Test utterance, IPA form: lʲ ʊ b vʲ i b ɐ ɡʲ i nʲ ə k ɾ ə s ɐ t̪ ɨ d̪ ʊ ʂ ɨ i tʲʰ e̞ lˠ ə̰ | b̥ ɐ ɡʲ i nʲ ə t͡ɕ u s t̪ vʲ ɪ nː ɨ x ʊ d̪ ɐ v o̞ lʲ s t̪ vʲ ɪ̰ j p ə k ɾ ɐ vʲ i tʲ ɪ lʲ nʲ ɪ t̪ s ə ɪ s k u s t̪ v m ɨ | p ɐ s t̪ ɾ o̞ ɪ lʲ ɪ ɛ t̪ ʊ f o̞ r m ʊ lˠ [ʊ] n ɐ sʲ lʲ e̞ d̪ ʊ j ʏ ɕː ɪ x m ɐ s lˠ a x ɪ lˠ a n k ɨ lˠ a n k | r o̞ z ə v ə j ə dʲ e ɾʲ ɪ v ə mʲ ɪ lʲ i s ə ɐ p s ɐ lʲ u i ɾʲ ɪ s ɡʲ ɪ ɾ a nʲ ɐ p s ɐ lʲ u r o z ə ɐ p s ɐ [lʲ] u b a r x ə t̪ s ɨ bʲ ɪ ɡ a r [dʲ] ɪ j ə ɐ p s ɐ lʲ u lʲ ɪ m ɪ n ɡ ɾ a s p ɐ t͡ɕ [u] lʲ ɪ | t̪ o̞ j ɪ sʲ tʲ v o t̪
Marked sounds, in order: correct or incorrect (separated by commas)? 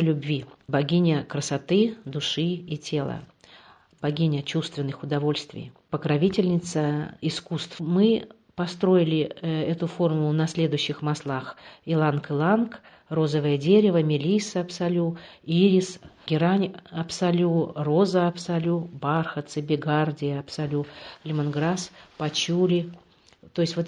correct, correct, correct, correct